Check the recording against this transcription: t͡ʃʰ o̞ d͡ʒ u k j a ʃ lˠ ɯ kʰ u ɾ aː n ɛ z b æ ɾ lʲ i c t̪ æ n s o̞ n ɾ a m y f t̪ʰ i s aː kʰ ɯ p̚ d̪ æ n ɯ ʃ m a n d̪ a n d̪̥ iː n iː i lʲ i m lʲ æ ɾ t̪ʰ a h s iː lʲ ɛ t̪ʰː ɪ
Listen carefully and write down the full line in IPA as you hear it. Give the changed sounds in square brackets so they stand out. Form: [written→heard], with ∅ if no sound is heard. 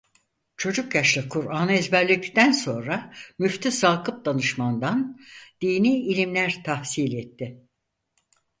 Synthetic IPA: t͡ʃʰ o̞ d͡ʒ u k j a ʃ lˠ ɯ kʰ u ɾ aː n ɛ z b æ ɾ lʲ i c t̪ æ n s o̞ n ɾ a m y f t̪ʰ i s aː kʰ ɯ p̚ d̪ [æ→a] n ɯ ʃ m a n d̪ a n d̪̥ iː n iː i lʲ i m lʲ æ ɾ t̪ʰ a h s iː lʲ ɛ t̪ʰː ɪ

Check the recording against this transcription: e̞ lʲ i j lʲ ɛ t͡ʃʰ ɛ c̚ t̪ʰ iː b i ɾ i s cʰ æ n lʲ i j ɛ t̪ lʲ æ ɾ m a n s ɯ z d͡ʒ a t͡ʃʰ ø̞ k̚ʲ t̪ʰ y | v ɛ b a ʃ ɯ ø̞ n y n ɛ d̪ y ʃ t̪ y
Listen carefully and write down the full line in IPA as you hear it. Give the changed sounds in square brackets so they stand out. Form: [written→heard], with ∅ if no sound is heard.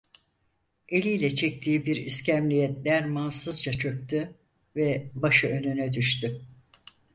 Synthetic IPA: e̞ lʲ i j lʲ ɛ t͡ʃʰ ɛ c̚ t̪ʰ iː b i ɾ i s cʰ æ [n→m] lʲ i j ɛ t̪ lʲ æ ɾ m a n s ɯ z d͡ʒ a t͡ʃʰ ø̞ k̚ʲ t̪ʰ y | v ɛ b a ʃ ɯ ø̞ n y n ɛ d̪ y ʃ t̪ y

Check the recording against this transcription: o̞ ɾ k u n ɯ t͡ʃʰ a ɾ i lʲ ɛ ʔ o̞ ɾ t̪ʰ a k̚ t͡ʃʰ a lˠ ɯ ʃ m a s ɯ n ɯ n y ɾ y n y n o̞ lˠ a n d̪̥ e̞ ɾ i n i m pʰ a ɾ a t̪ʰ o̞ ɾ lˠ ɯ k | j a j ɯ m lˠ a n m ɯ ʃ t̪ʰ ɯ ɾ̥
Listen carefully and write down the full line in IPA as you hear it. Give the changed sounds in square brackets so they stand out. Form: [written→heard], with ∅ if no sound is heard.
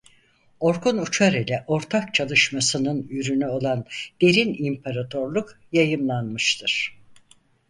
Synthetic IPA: o̞ ɾ k u n [ɯ→u] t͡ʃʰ a ɾ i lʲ ɛ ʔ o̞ ɾ t̪ʰ a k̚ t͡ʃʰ a lˠ ɯ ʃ m a s ɯ n ɯ n y ɾ y n y [n→∅] o̞ lˠ a n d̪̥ e̞ ɾ i n i m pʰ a ɾ a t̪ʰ o̞ ɾ lˠ [ɯ→u] k | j a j ɯ m lˠ a n m ɯ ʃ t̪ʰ ɯ ɾ̥

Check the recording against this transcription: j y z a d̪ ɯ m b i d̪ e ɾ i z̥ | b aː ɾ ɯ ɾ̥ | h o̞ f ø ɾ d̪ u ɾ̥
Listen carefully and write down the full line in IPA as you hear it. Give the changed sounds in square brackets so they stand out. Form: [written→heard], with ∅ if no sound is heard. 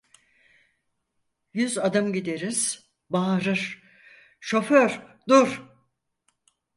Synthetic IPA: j y z a d̪ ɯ m [b→ɟ] i d̪ e ɾ i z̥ | b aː ɾ ɯ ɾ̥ | [h→ʃ] o̞ f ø ɾ d̪ u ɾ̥

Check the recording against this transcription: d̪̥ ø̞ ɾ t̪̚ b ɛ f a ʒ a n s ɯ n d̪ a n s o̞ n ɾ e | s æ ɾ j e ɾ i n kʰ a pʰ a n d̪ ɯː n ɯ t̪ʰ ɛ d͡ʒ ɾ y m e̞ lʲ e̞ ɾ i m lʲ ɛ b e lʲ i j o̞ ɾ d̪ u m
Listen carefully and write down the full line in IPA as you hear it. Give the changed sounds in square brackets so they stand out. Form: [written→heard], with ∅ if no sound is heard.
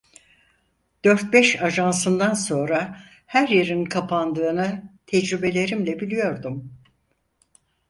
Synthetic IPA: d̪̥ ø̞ ɾ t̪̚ b ɛ [f→ʃ] a ʒ a n s ɯ n d̪ a n s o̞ n ɾ [e→a] | [s→h] æ ɾ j e ɾ i n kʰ a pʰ a n d̪ ɯː n ɯ t̪ʰ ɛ d͡ʒ ɾ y [m→b] e̞ lʲ e̞ ɾ i m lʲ ɛ b [e→i] lʲ i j o̞ ɾ d̪ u m

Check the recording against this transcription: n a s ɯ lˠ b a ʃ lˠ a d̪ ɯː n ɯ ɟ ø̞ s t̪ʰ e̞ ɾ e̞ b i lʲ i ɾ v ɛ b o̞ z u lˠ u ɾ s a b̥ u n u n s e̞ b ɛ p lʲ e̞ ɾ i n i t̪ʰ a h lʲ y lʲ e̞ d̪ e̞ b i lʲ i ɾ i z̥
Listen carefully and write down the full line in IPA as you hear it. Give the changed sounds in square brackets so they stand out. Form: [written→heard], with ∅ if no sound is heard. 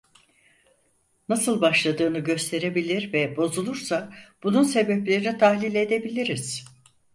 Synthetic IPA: n a s ɯ lˠ b a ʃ lˠ a d̪ ɯː n ɯ ɟ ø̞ s t̪ʰ e̞ ɾ e̞ b i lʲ i ɾ v ɛ b o̞ z u lˠ u ɾ s a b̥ u n u n s e̞ b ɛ p lʲ e̞ ɾ i n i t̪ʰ a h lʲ [y→i] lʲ e̞ d̪ e̞ b i lʲ i ɾ i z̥

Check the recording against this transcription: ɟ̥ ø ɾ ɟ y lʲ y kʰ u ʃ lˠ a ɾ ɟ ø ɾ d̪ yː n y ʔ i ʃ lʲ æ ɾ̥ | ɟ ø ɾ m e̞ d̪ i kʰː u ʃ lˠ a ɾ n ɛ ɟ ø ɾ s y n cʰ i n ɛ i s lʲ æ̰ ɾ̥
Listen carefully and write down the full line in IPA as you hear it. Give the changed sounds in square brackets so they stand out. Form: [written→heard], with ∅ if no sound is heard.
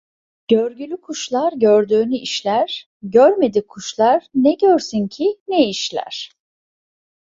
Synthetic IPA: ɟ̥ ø ɾ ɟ y lʲ y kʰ u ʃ lˠ a ɾ ɟ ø ɾ d̪ yː n y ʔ i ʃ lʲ æ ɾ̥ | ɟ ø ɾ m e̞ d̪ i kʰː u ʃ lˠ a ɾ n ɛ ɟ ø ɾ s y n cʰ i n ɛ i [s→ʃ] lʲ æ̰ ɾ̥

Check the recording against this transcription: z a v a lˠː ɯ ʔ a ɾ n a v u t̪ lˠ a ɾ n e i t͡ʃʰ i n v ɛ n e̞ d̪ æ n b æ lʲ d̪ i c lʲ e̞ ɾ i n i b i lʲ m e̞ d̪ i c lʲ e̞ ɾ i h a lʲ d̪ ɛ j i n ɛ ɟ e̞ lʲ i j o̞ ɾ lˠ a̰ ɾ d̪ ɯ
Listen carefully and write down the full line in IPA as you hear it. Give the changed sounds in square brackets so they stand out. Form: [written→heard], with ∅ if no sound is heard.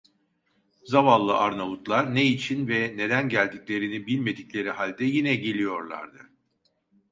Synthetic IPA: z a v a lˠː ɯ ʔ a ɾ n a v u t̪ lˠ a ɾ n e i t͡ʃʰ i n v ɛ n e̞ d̪ æ n [b→ɟ] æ lʲ d̪ i c lʲ e̞ ɾ i n i b i lʲ m e̞ d̪ i c lʲ e̞ ɾ i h a lʲ d̪ ɛ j i n ɛ ɟ e̞ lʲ i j o̞ ɾ lˠ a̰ ɾ d̪ ɯ

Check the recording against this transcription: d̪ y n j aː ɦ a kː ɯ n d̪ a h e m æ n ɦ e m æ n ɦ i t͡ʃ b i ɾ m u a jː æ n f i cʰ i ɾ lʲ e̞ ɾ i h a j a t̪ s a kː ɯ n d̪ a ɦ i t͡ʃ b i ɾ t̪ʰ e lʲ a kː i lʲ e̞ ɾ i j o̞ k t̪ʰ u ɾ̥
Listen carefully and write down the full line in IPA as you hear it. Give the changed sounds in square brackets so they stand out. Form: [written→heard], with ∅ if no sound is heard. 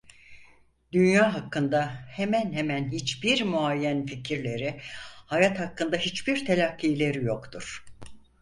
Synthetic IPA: d̪ y n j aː ɦ a kː ɯ n d̪ a h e m æ n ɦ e m æ n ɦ i t͡ʃ b i ɾ m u a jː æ n f i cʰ i ɾ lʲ e̞ ɾ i h a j a t̪ [s→h] a kː ɯ n d̪ a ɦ i t͡ʃ b i ɾ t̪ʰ e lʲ a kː i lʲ e̞ ɾ i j o̞ k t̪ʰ u ɾ̥

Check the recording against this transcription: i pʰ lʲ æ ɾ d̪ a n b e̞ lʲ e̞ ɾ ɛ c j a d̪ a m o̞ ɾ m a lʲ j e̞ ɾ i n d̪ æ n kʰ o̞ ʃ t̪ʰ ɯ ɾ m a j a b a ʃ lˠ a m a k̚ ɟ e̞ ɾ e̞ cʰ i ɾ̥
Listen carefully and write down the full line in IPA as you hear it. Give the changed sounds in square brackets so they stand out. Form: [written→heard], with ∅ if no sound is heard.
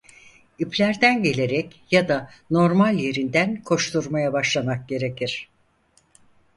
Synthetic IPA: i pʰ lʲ æ ɾ d̪ [a→æ] n [b→ɟ] e̞ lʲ e̞ ɾ ɛ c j a d̪ a [m→n] o̞ ɾ m a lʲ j e̞ ɾ i n d̪ æ n kʰ o̞ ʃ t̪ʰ [ɯ→u] ɾ m a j a b a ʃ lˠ a m a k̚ ɟ e̞ ɾ e̞ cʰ i ɾ̥

